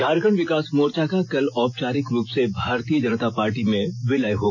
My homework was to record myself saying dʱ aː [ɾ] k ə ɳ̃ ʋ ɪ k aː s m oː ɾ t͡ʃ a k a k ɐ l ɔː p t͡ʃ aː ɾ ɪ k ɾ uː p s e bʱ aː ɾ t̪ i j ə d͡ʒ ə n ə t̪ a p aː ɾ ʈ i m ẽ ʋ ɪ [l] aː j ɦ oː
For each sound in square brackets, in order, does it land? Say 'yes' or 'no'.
yes, yes

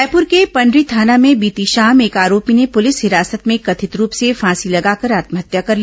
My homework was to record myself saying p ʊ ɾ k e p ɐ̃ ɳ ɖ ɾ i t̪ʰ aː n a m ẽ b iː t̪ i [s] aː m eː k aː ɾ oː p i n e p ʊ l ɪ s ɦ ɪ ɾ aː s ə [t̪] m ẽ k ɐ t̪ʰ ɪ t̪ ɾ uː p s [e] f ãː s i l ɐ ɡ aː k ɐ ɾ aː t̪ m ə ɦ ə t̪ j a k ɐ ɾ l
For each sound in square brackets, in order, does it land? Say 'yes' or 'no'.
no, yes, yes

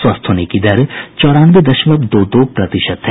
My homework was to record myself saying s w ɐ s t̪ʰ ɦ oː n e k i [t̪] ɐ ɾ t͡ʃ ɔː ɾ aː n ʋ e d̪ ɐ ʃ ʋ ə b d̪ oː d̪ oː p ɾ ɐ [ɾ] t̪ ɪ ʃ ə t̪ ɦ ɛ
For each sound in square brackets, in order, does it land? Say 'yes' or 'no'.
no, no

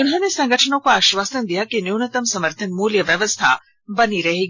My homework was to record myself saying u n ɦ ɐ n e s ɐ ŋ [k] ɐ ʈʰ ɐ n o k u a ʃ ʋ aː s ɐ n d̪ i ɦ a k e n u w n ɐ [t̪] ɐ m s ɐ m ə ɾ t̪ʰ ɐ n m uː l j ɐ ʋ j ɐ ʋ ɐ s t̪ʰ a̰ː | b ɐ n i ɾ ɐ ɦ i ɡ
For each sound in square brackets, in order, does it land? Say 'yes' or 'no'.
no, yes

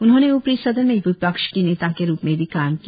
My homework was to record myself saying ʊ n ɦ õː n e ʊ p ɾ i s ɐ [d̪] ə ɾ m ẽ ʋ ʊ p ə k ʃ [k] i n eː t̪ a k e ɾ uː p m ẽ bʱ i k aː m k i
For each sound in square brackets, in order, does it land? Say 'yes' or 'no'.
yes, yes

